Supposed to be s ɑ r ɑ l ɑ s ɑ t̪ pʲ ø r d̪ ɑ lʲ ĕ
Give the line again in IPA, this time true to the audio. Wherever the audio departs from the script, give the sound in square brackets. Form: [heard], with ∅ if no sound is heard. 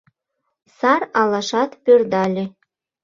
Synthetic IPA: s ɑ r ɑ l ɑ [ʃ] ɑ t̪ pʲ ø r d̪ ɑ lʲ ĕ